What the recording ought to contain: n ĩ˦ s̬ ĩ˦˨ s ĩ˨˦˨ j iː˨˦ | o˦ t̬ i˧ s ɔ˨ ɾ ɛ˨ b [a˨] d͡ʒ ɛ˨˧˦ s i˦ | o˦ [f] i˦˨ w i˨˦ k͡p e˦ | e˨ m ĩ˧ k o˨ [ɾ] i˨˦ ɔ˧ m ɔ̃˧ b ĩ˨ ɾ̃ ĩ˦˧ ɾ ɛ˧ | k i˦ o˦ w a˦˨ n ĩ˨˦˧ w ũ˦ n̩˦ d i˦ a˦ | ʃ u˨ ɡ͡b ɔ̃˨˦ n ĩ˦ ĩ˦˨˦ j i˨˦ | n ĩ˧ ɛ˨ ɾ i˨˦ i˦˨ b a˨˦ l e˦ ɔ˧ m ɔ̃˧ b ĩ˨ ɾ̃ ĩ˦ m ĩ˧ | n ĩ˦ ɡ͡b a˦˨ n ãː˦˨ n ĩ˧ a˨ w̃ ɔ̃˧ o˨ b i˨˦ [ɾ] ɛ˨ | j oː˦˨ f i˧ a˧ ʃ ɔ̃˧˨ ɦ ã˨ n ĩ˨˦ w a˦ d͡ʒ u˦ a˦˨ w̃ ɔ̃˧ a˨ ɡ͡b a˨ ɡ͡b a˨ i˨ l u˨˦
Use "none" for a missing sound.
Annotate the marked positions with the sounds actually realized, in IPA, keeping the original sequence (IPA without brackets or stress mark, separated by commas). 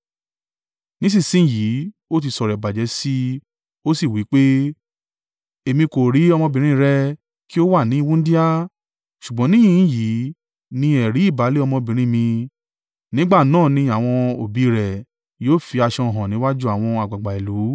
a˨, s, ɾ, ɾ